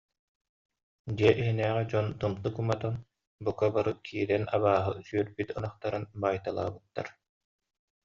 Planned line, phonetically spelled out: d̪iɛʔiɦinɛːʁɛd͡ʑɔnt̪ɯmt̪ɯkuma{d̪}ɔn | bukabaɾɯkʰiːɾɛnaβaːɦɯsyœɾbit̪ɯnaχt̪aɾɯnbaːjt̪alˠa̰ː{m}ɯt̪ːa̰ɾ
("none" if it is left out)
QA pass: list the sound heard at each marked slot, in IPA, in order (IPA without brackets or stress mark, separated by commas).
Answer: t̪, b